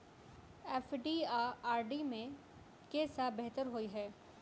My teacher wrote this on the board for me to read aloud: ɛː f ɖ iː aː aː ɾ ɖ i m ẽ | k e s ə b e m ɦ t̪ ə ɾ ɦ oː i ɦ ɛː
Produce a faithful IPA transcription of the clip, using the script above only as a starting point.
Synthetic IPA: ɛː f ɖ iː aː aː ɾ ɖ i m ẽ | k e s a b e ɦ t̪ ə ɾ ɦ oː i ɦ ɛː